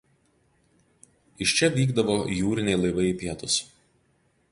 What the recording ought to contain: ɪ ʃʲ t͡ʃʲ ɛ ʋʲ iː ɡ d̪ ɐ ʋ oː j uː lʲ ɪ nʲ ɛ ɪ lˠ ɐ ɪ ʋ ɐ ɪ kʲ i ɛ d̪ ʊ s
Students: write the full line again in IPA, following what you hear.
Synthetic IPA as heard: ɪ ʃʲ t͡ʃʲ ɛ ʋʲ iː ɡ d̪ ɐ ʋ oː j uː ɾʲ ɪ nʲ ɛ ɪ lˠ ɐ ɪ ʋ ɐ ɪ pʲ i ɛ t̪ ʊ s